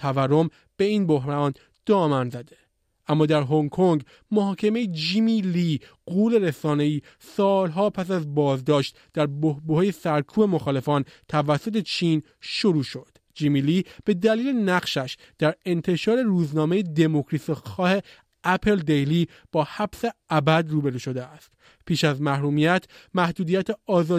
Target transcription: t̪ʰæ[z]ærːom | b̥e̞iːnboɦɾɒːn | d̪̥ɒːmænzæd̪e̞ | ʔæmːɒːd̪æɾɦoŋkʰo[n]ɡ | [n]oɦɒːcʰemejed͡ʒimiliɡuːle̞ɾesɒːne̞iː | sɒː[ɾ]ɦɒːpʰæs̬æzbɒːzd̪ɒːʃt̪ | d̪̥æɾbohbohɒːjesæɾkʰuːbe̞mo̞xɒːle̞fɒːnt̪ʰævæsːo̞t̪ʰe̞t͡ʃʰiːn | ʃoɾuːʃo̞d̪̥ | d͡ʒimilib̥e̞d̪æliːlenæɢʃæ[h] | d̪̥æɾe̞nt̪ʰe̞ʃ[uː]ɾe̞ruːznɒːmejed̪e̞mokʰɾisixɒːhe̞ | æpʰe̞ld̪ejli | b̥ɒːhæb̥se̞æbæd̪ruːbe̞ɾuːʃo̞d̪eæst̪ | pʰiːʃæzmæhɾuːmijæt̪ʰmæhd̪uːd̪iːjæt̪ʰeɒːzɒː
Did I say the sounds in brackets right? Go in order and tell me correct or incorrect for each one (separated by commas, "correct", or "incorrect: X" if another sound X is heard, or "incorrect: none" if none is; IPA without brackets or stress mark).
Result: incorrect: v, incorrect: ŋ, incorrect: m, incorrect: l, incorrect: ʃ, incorrect: ɒː